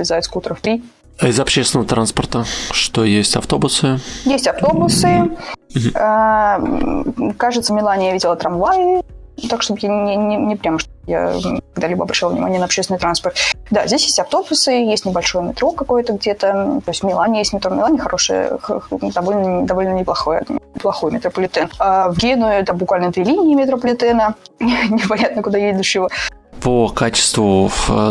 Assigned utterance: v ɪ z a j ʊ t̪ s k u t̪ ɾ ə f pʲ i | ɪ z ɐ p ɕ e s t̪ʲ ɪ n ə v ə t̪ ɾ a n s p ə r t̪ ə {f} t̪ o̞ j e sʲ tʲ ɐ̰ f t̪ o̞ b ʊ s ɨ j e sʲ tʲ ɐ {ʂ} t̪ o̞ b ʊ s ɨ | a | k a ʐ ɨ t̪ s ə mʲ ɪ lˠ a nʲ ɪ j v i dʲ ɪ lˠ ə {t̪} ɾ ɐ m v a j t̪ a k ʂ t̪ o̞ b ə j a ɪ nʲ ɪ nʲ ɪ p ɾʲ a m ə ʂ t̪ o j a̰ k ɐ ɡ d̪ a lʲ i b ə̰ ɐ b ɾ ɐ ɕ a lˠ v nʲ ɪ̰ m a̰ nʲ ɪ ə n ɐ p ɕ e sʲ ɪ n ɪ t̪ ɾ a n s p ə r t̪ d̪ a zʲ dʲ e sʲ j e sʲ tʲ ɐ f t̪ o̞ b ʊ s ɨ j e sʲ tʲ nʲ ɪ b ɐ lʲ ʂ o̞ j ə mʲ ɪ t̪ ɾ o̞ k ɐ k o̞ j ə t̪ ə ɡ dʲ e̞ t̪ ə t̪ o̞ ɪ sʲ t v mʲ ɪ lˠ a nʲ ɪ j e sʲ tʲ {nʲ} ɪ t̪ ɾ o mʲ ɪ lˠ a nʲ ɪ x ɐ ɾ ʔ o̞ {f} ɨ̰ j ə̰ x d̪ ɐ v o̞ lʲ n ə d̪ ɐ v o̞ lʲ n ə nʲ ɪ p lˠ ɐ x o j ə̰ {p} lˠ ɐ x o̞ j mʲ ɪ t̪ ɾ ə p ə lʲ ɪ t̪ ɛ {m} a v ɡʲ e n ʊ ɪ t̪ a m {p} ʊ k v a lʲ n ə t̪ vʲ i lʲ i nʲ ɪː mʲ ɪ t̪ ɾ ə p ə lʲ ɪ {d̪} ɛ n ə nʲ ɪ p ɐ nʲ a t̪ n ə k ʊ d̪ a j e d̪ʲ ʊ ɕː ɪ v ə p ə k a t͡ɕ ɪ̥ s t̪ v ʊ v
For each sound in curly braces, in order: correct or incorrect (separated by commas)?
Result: incorrect, incorrect, correct, incorrect, incorrect, correct, incorrect, incorrect, incorrect